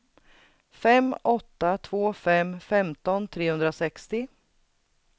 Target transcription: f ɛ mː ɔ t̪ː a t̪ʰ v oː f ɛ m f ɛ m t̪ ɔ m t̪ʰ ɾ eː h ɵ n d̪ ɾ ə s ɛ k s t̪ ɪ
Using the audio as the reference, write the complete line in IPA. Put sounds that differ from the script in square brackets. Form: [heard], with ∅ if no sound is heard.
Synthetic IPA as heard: f ɛ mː ɔ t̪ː a t̪ʰ v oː f ɛ m f ɛ m t̪ ɔ [n] t̪ʰ ɾ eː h ɵ n d̪ ɾ [a] s ɛ k s t̪ ɪ